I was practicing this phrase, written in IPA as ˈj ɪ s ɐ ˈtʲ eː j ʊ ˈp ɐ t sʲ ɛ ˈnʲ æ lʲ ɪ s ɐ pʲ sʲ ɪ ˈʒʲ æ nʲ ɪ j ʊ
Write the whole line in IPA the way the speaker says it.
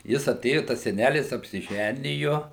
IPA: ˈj ɪ s ɐ ˈtʲ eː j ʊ ˈt ɐ s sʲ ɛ ˈnʲ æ lʲ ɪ s ɐ pʲ sʲ ɪ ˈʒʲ æ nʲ ɪ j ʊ